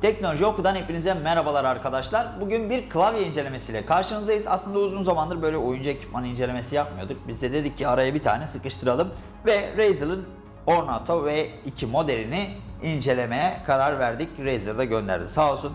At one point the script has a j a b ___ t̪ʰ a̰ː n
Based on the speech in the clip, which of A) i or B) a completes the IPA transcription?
A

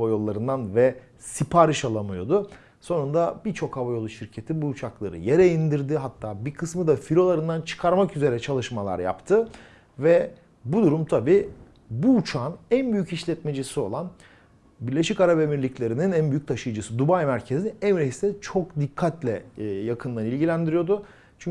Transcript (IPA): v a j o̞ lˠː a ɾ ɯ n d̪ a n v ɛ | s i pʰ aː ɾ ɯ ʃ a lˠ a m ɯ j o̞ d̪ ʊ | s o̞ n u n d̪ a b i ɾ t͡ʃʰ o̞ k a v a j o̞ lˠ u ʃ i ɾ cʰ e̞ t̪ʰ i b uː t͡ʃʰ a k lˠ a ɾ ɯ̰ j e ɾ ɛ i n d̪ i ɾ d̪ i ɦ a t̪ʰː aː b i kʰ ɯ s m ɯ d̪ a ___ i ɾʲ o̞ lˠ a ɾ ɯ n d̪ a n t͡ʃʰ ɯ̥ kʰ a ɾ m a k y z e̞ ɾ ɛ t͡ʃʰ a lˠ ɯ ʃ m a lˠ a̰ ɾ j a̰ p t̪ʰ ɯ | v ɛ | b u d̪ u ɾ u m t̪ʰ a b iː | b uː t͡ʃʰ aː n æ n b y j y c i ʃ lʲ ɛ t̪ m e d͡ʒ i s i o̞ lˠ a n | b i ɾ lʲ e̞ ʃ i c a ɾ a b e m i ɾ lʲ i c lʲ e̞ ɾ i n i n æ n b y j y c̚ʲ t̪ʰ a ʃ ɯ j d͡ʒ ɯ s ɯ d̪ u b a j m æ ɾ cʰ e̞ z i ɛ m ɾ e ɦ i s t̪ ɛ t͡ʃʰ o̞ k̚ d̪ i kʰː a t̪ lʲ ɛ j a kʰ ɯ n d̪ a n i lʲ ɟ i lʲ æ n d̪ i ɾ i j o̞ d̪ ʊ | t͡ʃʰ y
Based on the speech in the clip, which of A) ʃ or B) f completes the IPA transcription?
B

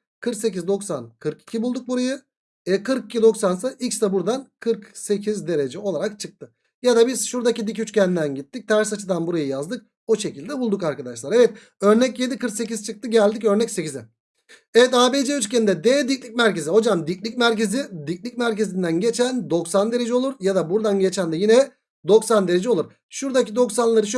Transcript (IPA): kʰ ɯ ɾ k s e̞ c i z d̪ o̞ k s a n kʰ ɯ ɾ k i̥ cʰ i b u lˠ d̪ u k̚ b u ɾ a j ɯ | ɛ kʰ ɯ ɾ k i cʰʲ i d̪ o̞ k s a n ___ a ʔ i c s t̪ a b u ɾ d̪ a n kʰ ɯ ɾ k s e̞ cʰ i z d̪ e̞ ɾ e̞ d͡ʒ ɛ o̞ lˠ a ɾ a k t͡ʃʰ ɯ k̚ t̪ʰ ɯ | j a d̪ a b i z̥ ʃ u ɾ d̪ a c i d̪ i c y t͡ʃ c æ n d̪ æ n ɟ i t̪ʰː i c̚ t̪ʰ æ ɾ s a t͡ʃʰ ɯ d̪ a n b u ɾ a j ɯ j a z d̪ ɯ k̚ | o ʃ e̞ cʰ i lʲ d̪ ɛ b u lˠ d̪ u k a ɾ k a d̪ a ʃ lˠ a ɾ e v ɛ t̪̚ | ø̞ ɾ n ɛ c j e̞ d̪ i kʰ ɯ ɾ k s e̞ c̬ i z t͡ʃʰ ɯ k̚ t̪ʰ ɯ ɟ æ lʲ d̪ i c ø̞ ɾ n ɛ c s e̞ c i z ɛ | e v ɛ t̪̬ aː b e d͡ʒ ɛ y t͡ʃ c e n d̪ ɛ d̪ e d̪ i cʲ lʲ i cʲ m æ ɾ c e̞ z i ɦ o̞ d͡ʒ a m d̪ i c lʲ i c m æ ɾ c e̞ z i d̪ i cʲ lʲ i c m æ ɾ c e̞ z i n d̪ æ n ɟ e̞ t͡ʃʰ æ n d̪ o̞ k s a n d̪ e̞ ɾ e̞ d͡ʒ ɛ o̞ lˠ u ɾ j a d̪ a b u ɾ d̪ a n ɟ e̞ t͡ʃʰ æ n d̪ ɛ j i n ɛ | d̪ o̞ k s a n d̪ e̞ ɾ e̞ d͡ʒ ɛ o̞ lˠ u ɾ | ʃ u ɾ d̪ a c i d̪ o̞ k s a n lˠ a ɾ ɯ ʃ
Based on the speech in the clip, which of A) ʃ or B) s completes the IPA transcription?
B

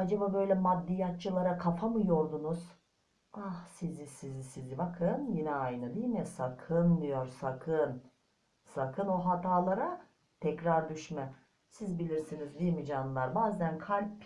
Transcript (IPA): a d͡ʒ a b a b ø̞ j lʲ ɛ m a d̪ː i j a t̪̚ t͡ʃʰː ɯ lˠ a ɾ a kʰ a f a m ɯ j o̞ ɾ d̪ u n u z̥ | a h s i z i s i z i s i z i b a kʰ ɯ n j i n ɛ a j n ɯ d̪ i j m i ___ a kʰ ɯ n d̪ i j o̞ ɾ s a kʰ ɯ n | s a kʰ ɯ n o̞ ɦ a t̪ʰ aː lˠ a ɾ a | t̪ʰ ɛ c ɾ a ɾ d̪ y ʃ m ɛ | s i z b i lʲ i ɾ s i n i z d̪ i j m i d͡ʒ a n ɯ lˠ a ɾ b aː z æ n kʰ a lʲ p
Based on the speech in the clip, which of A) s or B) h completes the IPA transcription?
A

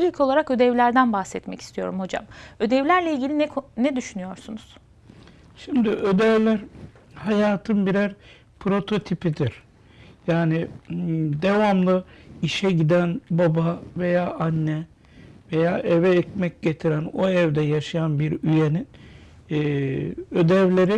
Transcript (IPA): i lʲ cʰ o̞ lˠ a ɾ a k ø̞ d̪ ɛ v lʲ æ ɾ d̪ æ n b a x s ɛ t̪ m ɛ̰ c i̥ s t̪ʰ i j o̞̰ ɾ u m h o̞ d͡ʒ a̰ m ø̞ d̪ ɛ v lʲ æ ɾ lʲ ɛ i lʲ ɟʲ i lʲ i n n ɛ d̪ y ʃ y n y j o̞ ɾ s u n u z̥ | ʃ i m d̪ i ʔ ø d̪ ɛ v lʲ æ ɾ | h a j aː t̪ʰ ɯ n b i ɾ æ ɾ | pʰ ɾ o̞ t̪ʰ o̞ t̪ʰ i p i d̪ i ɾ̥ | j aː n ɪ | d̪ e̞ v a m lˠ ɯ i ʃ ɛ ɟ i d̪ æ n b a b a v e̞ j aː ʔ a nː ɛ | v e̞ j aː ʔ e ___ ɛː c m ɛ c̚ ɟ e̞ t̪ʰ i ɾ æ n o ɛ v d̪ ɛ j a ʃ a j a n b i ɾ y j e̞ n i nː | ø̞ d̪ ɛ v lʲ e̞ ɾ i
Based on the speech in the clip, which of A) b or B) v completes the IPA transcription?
B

